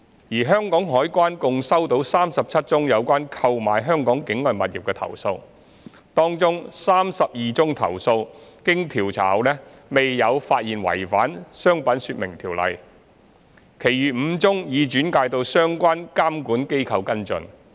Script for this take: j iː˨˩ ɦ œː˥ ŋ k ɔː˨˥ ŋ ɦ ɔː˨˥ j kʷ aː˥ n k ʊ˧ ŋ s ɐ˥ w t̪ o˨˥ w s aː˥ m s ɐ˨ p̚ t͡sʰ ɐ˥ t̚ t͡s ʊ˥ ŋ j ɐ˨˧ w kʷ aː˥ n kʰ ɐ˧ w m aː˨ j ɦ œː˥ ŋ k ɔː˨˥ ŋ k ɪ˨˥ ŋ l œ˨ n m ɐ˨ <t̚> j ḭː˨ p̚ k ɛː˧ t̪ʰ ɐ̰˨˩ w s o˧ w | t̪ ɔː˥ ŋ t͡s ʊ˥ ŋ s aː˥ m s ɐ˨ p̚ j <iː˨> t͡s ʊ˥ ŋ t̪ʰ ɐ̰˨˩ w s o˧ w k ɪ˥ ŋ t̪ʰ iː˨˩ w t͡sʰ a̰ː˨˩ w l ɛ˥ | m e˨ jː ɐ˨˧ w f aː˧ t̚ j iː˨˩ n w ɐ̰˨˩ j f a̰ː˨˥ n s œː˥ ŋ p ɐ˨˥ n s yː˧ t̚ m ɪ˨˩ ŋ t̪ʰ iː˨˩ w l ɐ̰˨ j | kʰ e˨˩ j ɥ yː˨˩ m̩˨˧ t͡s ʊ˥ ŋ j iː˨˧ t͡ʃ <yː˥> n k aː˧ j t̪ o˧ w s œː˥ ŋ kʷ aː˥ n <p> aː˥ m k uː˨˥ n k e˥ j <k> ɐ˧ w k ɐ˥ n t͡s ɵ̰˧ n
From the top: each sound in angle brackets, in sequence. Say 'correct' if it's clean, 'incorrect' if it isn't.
correct, correct, incorrect: yː˨˥, incorrect: k, incorrect: kʰ

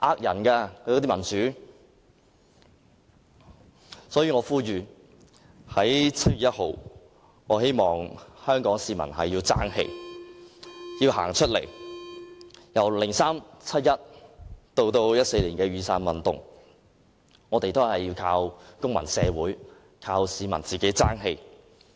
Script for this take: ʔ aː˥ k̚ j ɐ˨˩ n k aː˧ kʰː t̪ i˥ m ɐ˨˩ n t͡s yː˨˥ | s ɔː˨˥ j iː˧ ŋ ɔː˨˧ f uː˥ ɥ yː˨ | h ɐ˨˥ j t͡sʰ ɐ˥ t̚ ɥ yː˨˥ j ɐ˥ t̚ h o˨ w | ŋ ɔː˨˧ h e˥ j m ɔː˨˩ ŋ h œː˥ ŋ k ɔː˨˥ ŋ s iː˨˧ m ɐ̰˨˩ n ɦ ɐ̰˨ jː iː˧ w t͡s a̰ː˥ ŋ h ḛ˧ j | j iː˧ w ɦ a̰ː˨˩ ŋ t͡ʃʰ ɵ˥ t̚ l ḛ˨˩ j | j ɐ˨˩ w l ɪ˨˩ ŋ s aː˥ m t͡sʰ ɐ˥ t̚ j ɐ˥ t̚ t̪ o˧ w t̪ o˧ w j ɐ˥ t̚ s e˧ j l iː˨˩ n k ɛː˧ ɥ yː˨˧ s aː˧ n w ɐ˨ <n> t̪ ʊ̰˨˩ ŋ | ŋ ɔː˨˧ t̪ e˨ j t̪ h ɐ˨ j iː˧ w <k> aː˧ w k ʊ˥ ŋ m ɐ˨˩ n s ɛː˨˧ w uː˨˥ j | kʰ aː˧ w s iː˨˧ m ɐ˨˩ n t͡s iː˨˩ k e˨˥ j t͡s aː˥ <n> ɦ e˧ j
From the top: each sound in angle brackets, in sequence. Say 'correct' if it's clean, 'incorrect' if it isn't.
correct, incorrect: kʰ, incorrect: ŋ

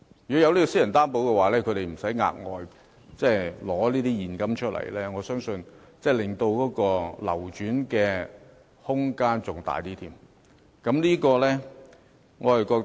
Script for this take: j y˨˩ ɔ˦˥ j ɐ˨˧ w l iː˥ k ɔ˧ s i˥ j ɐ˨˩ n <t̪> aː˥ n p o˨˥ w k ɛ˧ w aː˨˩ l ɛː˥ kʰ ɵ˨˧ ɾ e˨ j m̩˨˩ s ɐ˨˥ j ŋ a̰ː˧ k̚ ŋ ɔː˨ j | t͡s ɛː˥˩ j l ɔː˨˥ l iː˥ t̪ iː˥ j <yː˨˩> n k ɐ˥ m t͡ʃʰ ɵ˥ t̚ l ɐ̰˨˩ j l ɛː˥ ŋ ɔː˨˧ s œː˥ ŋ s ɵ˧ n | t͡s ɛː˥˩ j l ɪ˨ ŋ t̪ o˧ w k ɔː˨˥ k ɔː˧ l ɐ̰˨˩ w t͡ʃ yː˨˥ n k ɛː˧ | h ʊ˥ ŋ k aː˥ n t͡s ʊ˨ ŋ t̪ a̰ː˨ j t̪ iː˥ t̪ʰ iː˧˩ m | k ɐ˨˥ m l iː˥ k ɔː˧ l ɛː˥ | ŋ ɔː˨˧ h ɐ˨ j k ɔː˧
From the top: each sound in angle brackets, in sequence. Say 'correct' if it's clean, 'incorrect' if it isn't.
correct, incorrect: iː˨˩

